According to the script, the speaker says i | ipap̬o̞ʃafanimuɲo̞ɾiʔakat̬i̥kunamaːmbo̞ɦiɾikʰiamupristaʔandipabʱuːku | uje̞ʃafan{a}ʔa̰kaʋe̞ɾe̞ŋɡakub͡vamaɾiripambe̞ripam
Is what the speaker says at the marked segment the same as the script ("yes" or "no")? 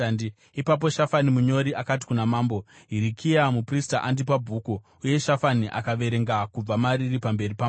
no